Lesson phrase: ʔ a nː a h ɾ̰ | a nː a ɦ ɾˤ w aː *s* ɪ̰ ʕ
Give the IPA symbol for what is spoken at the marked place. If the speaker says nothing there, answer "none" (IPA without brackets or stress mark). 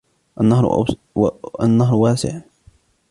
s